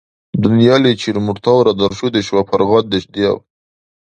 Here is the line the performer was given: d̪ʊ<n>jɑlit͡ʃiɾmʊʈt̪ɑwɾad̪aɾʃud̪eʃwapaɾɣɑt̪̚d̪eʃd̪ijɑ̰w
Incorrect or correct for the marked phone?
correct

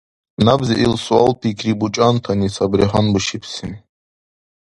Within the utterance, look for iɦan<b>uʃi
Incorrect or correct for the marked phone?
correct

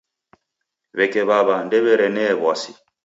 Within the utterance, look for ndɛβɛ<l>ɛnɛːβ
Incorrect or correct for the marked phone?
incorrect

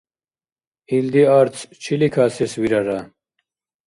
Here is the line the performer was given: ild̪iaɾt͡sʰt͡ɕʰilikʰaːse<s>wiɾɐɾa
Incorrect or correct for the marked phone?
correct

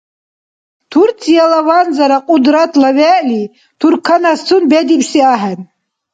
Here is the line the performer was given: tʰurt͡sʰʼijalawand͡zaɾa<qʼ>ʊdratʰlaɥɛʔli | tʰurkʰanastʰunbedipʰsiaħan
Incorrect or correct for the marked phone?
correct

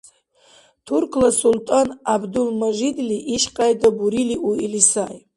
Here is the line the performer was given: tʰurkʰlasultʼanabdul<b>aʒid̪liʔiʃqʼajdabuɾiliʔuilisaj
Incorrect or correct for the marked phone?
incorrect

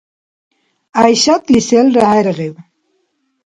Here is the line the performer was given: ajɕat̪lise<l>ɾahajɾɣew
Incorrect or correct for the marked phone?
correct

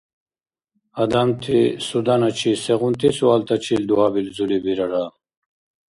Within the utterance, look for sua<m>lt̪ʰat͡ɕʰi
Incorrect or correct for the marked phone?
incorrect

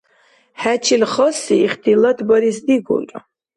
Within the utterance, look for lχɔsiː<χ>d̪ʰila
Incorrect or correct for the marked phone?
correct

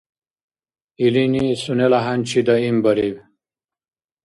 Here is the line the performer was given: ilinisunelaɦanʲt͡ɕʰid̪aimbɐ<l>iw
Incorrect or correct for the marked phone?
incorrect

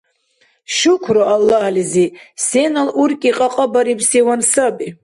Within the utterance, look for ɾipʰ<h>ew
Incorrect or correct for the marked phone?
incorrect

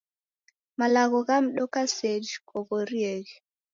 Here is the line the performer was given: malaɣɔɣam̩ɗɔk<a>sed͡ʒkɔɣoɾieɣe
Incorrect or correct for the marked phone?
correct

